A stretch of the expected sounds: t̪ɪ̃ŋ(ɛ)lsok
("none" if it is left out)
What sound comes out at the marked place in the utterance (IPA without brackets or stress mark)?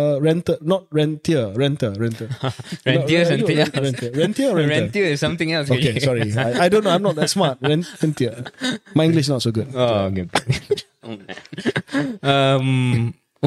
ɛ